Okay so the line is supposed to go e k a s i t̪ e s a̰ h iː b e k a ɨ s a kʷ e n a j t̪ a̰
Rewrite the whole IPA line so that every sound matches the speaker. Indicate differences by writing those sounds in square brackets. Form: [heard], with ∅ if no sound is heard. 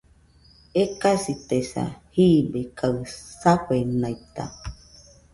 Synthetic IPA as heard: e k a s i t̪ e s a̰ h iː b e k a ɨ s a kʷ e n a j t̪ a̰